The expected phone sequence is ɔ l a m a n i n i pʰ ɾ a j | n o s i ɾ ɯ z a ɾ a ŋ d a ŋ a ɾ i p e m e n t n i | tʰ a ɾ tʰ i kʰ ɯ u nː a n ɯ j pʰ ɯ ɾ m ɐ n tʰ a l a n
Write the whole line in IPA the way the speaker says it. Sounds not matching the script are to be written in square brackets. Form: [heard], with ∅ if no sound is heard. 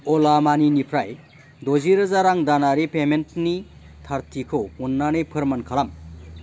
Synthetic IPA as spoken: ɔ l a m a n i n i pʰ ɾ a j | [d] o [z] i ɾ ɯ z a ɾ a ŋ d a [n] a ɾ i p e m e n t n i | tʰ a ɾ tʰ i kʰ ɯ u nː a n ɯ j pʰ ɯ ɾ m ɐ n [kʰ] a l a [m]